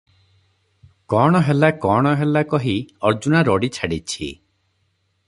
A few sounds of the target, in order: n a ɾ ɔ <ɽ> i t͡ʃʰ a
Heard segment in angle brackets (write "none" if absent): ɽ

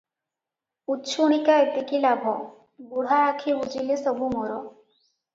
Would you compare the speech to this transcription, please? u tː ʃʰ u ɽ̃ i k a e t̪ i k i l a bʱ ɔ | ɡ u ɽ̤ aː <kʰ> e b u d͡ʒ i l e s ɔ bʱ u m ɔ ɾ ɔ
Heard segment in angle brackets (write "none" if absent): kʰ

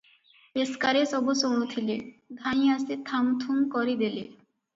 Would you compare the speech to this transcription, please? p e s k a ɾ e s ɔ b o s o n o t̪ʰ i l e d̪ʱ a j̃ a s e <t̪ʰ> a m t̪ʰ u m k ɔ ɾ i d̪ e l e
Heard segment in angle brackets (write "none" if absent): t̪ʰ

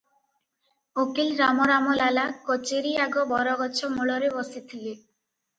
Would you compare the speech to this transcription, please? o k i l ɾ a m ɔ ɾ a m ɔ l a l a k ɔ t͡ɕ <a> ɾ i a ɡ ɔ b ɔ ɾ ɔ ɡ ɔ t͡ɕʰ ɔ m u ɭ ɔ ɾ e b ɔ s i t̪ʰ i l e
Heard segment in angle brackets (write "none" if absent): e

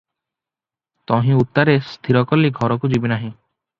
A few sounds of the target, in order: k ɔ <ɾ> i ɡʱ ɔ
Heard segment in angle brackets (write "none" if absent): l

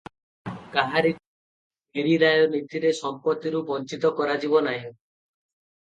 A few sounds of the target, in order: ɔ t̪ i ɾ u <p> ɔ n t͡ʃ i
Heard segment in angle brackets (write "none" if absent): b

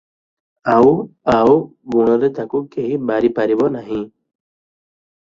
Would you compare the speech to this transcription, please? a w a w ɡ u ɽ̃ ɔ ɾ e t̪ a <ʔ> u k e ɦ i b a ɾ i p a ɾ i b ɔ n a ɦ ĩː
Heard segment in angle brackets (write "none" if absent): k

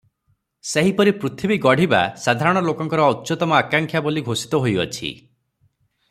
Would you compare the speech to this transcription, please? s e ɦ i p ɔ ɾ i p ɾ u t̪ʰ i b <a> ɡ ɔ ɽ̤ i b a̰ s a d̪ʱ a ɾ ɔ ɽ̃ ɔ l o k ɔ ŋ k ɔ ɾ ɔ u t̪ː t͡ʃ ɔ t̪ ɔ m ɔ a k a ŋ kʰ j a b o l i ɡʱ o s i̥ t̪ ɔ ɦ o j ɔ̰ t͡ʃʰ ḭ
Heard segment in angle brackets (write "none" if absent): i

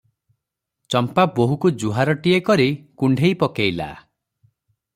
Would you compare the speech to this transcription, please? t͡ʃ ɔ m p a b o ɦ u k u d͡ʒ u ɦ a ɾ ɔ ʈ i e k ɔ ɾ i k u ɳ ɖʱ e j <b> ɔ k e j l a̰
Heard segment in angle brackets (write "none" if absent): p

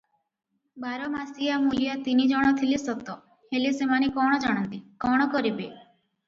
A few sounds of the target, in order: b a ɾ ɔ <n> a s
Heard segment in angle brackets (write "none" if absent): m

